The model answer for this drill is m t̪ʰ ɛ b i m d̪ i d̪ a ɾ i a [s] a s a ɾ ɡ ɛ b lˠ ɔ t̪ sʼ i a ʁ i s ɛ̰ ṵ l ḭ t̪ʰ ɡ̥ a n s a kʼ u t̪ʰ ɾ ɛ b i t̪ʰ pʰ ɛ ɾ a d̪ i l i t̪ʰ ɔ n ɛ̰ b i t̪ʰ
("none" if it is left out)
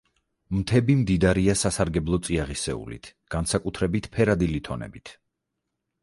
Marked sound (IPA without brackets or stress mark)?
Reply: s